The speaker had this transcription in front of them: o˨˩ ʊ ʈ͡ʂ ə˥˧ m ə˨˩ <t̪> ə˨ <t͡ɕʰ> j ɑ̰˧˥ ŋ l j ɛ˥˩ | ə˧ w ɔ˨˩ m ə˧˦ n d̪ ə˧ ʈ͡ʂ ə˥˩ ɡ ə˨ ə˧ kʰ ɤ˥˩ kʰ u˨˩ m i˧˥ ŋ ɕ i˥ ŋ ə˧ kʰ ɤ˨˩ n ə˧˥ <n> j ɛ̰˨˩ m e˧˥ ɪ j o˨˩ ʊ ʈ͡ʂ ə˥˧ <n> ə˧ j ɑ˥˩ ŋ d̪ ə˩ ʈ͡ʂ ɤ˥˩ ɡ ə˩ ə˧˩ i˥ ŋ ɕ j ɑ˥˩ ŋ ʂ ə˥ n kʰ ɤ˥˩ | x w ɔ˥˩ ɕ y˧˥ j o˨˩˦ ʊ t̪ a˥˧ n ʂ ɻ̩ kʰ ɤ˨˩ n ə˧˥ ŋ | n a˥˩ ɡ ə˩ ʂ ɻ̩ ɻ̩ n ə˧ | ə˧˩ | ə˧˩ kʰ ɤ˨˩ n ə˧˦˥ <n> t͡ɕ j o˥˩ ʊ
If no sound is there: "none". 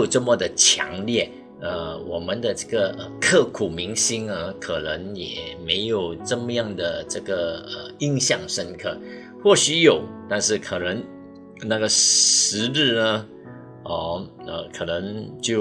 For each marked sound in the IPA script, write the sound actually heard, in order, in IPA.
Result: d̪, t͡ɕʰ, ŋ, m, ŋ

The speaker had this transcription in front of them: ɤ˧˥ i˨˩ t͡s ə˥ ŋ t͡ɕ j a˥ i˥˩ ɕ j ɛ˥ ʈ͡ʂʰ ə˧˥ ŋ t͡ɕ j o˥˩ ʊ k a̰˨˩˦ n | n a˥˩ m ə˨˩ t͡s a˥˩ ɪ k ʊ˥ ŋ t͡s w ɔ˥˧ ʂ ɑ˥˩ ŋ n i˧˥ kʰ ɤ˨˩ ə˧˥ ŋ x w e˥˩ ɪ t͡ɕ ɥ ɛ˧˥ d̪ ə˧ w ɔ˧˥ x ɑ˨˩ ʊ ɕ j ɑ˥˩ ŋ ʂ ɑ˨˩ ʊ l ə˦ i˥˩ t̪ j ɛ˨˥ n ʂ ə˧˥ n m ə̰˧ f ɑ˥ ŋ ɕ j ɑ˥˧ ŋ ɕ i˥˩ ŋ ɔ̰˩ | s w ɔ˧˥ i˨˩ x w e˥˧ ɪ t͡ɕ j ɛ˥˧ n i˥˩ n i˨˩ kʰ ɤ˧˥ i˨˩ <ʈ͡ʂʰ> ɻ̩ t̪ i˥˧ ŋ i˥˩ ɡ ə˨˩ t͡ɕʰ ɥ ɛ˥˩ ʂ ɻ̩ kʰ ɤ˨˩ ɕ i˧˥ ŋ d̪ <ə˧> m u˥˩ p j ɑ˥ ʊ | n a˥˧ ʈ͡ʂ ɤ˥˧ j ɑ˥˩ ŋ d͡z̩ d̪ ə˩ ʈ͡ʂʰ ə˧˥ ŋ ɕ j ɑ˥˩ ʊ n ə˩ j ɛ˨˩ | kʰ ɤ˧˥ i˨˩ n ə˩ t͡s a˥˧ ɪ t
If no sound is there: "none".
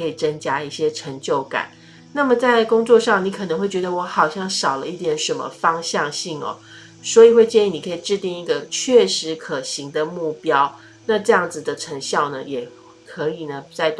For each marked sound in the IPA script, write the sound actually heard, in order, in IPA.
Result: ʈ͡ʂ, ə˧

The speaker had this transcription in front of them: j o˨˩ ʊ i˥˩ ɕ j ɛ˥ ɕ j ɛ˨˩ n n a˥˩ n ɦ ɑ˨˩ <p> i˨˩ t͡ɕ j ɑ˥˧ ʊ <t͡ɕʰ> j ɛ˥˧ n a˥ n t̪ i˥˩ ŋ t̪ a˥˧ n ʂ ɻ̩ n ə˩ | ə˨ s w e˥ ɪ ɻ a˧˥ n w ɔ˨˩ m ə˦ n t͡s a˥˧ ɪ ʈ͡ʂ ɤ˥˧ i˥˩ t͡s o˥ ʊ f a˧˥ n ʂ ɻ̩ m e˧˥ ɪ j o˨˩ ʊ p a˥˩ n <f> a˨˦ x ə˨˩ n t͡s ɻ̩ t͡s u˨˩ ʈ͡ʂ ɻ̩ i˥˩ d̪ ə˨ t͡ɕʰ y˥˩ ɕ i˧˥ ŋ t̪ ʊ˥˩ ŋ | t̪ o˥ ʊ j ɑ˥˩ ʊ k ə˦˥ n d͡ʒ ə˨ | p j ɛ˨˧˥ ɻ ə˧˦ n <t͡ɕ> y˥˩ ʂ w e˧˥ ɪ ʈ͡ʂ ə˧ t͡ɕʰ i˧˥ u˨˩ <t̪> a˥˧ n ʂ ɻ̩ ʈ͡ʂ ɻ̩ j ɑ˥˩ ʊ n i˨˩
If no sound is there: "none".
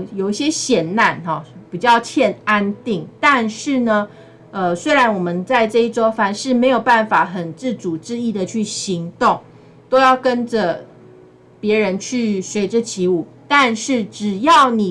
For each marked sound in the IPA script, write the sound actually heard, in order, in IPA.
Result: p, t͡ɕʰ, f, t͡ɕʰ, t̪

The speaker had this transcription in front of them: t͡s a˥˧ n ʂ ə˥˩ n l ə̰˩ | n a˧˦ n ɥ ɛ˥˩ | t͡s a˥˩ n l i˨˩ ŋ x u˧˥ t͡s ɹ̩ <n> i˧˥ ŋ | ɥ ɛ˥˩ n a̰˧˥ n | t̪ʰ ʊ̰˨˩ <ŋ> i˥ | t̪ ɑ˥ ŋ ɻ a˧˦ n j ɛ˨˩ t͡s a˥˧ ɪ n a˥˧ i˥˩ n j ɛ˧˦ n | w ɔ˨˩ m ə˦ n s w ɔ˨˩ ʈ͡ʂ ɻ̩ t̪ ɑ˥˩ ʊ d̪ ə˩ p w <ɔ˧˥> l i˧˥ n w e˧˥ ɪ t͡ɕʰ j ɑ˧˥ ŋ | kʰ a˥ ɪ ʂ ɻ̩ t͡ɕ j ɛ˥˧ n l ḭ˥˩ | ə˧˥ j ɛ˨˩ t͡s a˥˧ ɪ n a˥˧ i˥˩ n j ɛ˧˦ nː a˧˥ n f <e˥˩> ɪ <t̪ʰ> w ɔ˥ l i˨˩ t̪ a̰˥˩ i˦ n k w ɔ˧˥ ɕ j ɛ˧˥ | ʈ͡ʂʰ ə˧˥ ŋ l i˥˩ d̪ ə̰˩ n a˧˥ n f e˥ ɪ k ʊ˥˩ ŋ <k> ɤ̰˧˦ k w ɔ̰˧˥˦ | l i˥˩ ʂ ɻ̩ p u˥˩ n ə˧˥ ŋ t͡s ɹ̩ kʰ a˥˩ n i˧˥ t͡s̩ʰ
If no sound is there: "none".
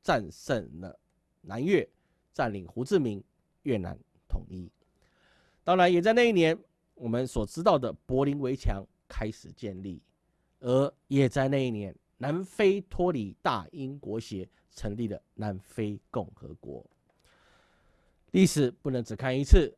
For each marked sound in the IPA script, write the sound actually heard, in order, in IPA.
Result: m, ŋ, ɔ˧˥, e˥, t̪ʰ, x

